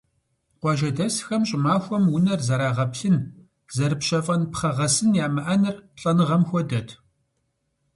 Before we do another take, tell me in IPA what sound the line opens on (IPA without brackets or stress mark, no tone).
qʷ